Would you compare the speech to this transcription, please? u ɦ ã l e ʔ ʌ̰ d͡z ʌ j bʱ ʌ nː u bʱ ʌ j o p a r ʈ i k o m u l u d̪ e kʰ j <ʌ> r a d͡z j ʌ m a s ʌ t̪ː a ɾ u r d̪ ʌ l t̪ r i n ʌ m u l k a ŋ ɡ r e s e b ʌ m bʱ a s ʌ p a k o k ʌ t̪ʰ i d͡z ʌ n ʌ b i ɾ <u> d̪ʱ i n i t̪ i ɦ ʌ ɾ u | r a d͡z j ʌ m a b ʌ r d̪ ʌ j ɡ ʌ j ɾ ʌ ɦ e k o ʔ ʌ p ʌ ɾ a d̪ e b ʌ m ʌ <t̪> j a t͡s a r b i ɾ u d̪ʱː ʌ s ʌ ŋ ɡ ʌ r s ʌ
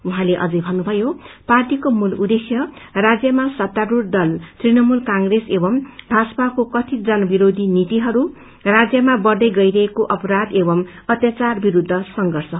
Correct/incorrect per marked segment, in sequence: correct, incorrect: o, correct

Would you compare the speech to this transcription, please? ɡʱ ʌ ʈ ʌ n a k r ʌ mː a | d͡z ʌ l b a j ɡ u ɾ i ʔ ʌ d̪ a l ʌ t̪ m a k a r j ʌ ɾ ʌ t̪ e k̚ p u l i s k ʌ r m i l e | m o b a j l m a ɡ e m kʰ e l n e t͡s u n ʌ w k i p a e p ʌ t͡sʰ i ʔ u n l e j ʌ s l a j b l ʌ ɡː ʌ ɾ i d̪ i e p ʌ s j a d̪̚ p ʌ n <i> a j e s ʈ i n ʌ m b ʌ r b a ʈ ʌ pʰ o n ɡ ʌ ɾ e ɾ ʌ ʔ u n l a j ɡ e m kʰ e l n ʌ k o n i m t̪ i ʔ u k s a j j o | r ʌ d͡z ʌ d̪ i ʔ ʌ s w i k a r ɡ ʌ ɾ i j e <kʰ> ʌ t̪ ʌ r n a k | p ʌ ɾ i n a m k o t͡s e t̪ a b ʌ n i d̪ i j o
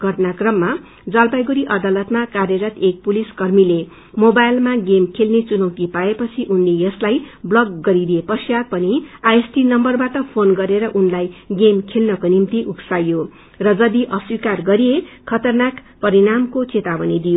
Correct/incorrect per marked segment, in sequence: correct, correct

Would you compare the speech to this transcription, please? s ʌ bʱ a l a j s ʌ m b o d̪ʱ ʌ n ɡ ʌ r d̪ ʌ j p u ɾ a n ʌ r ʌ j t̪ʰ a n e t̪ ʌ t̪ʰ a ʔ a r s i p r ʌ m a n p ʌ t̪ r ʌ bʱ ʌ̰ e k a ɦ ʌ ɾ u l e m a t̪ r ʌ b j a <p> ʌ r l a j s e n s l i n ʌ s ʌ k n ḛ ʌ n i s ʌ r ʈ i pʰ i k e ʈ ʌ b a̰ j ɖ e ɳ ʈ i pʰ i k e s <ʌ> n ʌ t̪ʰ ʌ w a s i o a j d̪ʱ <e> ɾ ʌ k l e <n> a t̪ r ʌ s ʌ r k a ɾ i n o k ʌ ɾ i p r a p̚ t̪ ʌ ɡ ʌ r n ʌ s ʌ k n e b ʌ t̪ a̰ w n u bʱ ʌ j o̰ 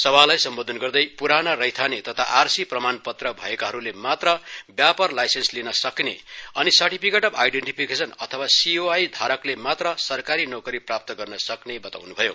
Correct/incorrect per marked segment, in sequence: correct, correct, incorrect: a, incorrect: m

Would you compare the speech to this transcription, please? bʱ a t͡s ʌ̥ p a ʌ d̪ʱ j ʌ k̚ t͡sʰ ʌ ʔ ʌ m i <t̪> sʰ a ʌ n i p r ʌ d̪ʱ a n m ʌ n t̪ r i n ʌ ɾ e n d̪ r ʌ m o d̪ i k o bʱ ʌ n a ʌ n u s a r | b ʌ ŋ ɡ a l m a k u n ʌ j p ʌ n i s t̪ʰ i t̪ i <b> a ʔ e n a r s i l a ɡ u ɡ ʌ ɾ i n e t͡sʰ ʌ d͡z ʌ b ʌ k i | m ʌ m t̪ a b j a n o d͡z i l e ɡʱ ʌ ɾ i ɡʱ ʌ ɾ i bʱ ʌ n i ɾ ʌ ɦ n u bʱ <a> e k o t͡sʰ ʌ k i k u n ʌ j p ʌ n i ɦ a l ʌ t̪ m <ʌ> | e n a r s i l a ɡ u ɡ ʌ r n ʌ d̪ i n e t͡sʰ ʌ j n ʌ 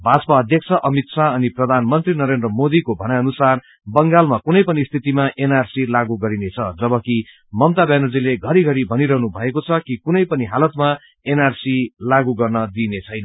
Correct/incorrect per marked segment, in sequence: correct, incorrect: m, incorrect: ʌ, incorrect: a

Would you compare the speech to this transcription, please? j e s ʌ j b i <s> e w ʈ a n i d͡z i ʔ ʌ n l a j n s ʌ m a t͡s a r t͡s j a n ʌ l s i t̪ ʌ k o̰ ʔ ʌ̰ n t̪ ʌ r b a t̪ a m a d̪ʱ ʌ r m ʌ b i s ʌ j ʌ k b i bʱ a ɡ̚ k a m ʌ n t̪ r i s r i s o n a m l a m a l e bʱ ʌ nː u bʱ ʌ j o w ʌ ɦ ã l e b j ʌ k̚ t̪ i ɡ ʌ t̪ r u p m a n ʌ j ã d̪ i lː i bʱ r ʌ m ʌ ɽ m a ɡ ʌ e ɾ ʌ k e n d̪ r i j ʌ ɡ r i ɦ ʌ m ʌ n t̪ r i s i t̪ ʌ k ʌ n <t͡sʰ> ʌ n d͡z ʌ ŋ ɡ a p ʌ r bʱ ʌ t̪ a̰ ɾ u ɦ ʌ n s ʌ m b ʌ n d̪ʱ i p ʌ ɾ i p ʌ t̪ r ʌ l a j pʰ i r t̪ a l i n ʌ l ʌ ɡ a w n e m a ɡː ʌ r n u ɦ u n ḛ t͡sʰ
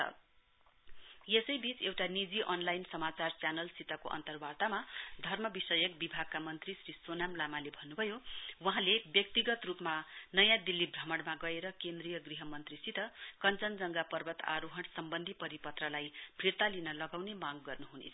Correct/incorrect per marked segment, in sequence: incorrect: t͡s, incorrect: t͡s

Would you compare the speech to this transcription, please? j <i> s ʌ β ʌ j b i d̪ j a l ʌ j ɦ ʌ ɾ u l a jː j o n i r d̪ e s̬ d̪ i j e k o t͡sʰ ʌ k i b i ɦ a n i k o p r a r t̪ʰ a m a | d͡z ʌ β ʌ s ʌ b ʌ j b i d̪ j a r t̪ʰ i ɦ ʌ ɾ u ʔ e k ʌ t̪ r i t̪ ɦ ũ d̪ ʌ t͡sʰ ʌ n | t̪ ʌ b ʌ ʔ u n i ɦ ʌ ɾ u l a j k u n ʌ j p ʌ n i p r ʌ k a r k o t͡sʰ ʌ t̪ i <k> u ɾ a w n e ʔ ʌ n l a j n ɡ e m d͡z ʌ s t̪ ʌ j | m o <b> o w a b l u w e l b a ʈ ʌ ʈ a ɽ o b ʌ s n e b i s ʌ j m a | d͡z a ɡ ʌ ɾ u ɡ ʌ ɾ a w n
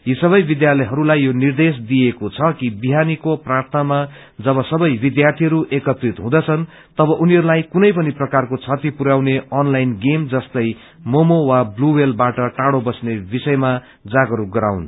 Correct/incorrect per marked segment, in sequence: correct, incorrect: p, incorrect: m

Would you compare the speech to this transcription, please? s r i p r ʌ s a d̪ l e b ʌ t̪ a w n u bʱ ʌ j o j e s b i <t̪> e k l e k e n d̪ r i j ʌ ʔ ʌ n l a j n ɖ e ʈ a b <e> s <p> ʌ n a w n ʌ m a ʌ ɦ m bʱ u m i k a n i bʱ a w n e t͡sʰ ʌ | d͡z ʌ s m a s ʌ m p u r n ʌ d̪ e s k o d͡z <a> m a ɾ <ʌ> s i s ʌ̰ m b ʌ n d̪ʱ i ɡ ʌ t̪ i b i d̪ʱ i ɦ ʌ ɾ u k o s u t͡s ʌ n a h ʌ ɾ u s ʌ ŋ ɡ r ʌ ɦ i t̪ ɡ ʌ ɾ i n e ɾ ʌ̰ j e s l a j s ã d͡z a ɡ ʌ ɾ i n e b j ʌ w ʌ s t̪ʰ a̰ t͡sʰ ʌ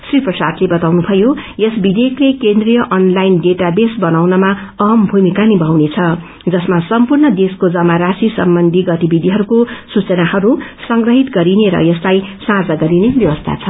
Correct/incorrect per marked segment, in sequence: incorrect: d̪, correct, incorrect: b, incorrect: ʌ, incorrect: a

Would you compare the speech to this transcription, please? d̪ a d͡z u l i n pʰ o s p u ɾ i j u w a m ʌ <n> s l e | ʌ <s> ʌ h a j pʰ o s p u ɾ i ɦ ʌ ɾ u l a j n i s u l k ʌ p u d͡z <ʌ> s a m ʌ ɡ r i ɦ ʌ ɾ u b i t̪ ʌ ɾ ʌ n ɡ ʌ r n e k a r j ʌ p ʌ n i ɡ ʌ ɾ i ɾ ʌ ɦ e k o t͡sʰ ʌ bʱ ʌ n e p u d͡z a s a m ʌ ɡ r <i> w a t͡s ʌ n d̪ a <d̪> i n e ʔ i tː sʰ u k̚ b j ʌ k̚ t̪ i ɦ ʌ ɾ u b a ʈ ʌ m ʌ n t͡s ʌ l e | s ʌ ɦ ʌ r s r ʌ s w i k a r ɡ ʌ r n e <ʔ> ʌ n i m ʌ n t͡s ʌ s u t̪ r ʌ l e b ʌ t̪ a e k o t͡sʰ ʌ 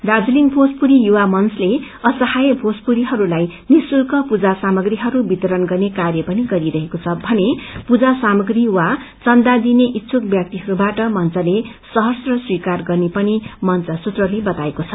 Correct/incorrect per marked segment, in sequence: correct, correct, incorrect: a, correct, correct, incorrect: p

